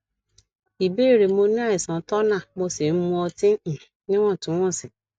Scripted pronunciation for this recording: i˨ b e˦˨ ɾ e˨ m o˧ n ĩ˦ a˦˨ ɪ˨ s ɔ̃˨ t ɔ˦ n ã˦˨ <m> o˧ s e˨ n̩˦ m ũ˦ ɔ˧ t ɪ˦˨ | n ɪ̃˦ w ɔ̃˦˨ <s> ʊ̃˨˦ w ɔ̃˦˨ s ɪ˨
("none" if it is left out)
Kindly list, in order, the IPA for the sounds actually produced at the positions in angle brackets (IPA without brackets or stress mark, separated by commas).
m, t